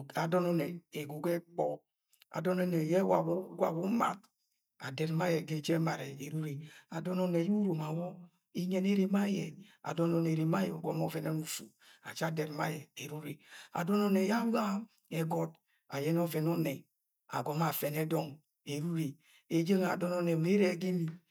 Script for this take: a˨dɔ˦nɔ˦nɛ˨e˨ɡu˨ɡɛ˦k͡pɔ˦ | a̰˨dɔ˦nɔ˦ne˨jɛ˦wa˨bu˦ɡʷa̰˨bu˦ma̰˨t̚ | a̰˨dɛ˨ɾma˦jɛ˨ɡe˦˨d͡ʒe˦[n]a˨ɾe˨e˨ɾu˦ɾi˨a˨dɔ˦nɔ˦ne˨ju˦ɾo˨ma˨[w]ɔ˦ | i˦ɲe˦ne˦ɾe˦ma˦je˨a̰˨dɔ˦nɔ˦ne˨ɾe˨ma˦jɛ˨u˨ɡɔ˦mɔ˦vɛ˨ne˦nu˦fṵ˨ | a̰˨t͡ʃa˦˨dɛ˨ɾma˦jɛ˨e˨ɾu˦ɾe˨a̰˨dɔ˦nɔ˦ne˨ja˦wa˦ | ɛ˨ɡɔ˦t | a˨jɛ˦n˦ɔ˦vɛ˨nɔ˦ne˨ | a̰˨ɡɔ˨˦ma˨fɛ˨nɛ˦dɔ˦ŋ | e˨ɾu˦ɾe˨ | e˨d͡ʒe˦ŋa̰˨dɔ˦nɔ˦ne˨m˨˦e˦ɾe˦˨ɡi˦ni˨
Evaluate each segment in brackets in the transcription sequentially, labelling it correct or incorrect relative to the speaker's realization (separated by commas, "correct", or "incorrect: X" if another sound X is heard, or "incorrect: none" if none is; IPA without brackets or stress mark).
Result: incorrect: m, correct